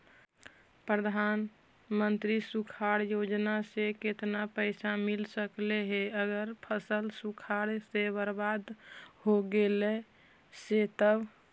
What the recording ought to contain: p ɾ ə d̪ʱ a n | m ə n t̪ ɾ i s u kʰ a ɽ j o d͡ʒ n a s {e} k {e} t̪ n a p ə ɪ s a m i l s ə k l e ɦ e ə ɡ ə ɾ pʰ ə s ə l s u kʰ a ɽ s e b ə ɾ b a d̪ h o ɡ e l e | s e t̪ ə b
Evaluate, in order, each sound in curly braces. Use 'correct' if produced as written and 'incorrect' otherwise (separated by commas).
correct, correct